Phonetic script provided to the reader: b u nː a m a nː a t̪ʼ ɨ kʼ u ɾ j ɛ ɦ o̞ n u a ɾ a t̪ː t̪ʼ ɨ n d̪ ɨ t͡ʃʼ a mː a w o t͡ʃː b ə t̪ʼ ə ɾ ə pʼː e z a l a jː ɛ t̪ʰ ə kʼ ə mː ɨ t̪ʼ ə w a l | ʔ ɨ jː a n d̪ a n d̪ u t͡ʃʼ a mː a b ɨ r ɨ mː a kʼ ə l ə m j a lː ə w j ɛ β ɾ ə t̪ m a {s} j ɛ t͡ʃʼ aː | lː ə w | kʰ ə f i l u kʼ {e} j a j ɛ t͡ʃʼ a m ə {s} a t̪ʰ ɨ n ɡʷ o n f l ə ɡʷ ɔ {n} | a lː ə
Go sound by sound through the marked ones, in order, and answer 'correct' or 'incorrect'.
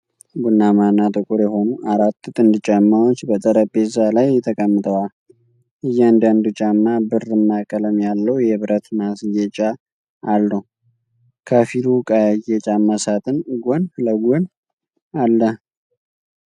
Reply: correct, incorrect: a, correct, correct

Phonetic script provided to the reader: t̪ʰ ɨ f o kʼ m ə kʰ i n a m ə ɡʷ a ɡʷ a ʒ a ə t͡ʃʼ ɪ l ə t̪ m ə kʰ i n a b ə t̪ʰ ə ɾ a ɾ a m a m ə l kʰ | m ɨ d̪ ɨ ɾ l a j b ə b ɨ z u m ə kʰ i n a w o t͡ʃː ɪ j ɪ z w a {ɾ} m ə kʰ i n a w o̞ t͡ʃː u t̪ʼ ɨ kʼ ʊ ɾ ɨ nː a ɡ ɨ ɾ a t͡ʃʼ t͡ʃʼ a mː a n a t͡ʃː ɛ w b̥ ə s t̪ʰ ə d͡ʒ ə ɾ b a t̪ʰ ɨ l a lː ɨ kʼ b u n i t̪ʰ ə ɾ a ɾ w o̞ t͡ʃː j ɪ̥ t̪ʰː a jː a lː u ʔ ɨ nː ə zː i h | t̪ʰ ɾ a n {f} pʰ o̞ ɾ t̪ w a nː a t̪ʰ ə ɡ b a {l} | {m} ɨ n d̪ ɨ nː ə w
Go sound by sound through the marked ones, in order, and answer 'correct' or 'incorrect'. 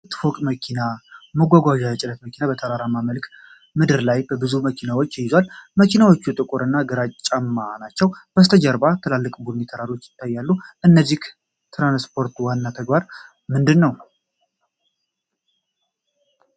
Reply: incorrect: l, incorrect: s, incorrect: ɾ, correct

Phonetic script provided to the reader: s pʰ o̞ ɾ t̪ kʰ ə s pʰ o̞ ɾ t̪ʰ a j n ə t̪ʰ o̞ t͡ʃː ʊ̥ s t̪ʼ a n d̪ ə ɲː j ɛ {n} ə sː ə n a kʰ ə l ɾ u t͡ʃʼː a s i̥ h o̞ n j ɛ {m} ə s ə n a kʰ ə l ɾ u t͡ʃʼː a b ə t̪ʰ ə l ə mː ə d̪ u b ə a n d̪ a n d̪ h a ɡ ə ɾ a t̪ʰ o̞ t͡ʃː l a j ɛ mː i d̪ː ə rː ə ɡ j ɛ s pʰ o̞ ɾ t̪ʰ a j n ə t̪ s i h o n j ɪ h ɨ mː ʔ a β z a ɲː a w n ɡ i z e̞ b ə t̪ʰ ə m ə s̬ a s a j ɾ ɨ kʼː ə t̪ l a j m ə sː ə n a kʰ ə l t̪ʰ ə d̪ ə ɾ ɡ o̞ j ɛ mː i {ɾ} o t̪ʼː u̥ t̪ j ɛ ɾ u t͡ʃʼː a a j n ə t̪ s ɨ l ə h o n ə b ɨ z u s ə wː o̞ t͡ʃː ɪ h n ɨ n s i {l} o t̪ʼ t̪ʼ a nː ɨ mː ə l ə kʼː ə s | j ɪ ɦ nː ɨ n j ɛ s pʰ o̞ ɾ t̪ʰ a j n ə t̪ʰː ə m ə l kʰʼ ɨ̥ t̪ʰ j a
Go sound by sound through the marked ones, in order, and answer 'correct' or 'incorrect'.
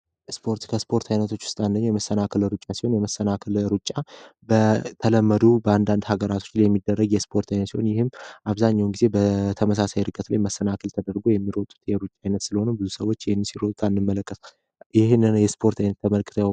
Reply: incorrect: m, correct, correct, incorrect: ɾ

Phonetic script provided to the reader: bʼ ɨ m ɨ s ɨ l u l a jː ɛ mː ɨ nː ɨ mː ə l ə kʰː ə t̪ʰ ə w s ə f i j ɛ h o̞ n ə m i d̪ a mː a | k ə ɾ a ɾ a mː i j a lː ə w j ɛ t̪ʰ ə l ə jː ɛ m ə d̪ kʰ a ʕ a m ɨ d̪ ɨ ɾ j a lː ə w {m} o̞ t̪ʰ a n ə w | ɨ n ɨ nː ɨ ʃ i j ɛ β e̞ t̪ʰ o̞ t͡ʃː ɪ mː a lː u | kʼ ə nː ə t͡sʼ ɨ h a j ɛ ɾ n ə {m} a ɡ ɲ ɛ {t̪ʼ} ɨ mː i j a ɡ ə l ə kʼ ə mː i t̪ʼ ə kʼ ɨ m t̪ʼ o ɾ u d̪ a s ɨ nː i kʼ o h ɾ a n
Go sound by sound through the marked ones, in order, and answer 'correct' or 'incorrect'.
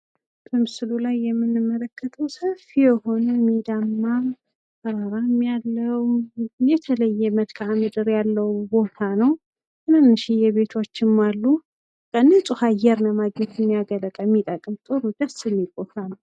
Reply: incorrect: b, correct, incorrect: t̪

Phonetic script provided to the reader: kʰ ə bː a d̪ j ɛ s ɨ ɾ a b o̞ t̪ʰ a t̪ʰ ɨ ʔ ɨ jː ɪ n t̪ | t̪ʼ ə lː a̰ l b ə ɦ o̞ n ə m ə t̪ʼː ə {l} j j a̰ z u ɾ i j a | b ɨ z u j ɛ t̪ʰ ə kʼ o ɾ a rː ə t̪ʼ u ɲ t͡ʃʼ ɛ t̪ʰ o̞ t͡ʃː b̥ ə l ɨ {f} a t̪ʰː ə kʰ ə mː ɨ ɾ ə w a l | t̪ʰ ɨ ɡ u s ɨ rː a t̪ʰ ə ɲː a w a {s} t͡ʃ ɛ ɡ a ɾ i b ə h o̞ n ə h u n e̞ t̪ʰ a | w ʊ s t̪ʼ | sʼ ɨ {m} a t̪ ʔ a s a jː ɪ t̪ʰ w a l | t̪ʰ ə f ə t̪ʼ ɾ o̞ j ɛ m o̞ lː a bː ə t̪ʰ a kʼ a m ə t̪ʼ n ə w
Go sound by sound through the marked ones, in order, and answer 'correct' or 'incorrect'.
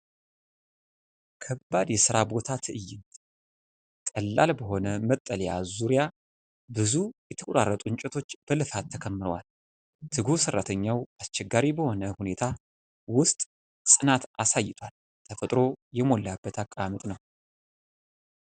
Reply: correct, correct, correct, incorrect: n

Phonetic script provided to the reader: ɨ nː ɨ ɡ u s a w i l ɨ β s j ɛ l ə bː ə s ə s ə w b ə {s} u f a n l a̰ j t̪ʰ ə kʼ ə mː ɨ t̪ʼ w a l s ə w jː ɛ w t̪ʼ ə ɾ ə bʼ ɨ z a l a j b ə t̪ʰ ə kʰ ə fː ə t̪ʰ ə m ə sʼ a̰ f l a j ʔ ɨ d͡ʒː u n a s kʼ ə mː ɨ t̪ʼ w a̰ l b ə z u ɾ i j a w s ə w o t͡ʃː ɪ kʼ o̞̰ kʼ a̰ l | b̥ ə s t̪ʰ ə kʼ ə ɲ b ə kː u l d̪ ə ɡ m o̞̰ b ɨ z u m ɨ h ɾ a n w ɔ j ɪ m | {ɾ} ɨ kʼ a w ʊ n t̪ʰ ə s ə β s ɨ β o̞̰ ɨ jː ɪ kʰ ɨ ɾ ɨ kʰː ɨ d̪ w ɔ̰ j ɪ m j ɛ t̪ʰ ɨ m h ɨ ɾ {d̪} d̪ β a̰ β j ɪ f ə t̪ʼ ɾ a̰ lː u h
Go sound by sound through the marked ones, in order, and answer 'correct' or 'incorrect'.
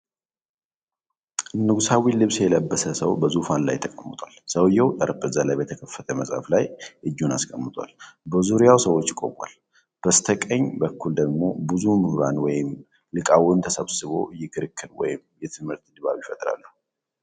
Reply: incorrect: z, incorrect: l, incorrect: t̪

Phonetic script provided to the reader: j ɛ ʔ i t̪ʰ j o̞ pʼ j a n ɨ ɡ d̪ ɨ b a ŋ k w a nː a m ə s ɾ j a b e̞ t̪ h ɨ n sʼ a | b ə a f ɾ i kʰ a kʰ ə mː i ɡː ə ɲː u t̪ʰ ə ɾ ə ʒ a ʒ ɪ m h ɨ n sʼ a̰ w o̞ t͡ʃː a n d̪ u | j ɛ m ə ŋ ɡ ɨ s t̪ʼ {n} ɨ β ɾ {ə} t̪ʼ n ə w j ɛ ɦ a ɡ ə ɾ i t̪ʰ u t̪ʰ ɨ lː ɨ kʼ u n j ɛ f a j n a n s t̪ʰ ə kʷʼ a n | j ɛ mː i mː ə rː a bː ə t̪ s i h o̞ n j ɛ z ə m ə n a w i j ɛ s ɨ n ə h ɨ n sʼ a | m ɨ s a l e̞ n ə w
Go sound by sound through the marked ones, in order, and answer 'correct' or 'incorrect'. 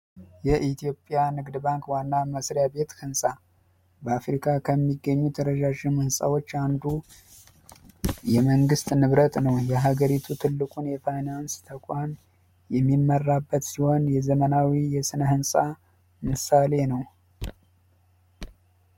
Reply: correct, correct

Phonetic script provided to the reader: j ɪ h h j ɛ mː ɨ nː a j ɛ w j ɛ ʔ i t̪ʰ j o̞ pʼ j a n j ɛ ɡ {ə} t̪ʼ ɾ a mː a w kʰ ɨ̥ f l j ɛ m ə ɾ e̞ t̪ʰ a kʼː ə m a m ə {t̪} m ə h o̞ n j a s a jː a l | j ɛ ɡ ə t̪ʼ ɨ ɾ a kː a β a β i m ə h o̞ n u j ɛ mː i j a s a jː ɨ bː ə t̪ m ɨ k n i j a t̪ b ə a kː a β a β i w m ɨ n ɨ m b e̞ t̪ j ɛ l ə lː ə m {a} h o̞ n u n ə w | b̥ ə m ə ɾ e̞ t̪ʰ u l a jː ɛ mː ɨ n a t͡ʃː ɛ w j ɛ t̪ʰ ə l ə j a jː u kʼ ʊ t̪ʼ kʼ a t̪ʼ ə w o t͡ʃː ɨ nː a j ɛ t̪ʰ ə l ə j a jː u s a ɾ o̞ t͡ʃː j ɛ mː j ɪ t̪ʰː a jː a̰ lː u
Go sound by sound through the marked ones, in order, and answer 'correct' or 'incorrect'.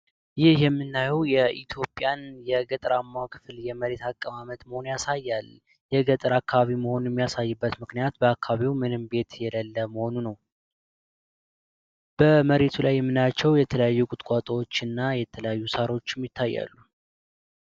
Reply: correct, correct, incorrect: ə

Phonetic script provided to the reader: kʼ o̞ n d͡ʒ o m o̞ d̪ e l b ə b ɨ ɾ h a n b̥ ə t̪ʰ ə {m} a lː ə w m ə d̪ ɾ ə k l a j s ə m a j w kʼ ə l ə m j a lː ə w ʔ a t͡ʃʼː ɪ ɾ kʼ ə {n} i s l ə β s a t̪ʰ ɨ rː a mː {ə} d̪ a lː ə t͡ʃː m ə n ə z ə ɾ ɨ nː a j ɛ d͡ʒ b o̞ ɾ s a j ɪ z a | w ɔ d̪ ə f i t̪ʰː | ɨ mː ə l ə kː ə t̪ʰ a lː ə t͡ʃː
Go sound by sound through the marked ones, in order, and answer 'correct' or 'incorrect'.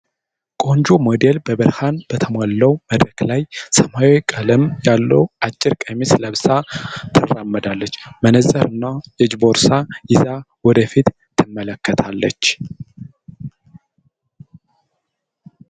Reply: correct, incorrect: m, correct

